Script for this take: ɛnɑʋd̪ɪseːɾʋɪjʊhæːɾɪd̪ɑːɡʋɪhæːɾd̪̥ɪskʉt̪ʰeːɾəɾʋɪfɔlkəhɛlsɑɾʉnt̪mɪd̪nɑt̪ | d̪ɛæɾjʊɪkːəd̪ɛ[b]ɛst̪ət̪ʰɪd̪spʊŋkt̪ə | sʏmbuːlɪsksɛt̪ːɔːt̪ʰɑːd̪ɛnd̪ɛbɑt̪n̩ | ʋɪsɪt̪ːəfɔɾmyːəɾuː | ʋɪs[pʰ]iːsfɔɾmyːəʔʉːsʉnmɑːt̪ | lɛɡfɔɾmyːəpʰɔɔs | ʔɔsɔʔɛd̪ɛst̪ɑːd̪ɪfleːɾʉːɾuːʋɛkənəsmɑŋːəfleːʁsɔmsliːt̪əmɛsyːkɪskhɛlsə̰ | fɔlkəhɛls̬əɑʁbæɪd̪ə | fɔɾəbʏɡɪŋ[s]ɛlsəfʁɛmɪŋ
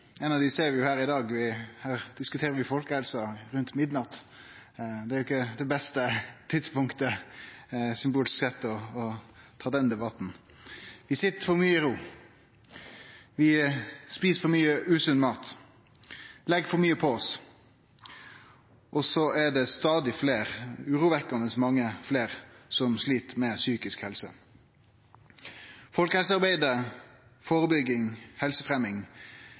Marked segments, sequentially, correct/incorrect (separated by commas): correct, incorrect, incorrect